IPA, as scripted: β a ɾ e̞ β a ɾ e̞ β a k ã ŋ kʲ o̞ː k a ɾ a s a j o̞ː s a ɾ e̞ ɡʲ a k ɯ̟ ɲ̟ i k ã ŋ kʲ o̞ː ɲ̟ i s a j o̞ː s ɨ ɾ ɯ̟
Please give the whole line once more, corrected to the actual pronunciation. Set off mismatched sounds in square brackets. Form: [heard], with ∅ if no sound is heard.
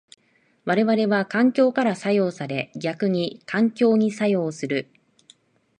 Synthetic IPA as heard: β a ɾ e̞ β a ɾ e̞ β a k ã ŋ kʲ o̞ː k a ɾ a s a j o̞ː s a ɾ e̞ ɡʲ a k ɯ̟ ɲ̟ i k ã ŋ kʲ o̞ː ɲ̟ i s a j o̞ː s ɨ ɾ ɯ̟